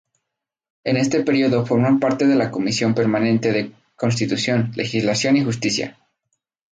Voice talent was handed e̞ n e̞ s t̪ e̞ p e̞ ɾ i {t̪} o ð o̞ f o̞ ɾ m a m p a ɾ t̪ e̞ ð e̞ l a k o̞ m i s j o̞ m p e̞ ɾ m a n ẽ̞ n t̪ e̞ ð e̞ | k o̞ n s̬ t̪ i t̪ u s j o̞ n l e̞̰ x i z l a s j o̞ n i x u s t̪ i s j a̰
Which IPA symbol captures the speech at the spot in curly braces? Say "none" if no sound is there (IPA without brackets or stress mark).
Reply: none